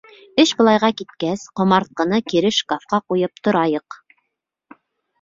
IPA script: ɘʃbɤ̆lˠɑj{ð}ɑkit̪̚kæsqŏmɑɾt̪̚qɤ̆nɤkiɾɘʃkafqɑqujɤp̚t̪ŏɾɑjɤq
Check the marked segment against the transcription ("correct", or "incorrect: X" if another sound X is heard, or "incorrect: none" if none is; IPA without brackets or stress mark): incorrect: ʁ